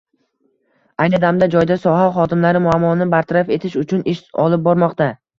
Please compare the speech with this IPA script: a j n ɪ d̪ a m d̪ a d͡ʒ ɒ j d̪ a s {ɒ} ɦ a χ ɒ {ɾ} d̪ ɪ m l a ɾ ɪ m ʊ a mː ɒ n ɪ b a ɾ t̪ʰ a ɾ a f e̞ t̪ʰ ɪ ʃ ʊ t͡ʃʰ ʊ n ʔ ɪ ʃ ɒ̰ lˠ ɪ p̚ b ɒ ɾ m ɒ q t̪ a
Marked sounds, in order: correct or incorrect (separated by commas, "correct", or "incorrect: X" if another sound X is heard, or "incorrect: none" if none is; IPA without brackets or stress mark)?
correct, incorrect: none